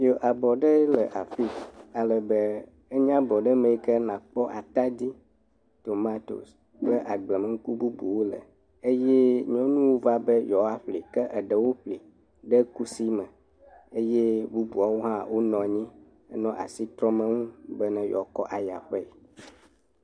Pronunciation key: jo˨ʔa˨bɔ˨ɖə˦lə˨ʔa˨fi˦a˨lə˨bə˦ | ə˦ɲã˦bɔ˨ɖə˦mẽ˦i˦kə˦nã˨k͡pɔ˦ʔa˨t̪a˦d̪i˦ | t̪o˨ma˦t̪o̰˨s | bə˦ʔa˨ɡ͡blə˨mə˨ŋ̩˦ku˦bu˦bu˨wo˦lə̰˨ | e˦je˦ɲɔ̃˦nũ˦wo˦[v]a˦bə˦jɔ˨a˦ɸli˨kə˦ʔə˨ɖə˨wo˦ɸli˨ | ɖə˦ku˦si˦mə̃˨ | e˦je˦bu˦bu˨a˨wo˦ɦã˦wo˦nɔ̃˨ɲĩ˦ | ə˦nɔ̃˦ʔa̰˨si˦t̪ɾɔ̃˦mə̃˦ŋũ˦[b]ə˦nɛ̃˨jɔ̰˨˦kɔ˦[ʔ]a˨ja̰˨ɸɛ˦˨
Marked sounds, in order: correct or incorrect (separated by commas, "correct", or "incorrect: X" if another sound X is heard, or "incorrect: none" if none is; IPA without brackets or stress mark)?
correct, correct, correct